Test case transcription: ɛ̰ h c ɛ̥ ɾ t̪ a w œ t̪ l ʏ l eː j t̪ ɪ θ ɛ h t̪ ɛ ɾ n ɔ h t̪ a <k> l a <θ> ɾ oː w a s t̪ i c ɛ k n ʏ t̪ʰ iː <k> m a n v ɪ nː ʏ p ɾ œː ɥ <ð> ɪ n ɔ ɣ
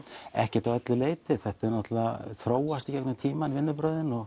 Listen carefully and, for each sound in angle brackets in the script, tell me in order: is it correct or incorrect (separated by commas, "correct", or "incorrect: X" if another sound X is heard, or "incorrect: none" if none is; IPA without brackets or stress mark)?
incorrect: none, correct, incorrect: none, correct